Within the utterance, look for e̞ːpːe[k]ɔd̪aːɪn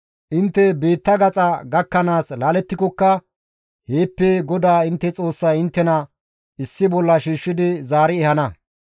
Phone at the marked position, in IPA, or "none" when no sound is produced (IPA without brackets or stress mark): ɡ